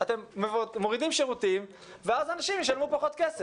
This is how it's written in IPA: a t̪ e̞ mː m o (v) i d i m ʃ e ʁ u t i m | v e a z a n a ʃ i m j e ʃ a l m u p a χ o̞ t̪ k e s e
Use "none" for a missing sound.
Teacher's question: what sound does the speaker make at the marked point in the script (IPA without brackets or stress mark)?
ʁ